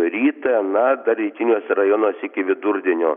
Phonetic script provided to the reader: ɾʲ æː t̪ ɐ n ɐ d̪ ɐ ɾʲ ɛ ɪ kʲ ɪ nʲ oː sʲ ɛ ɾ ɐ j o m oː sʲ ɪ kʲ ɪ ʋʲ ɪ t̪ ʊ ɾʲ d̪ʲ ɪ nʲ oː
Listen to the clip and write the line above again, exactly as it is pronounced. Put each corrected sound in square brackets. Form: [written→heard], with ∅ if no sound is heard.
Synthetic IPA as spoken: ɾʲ [æː→iː] t̪ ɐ n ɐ d̪ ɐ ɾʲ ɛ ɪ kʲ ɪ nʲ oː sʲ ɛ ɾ ɐ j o [m→n] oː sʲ ɪ kʲ ɪ ʋʲ ɪ [t̪→d̪] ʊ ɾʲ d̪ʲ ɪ nʲ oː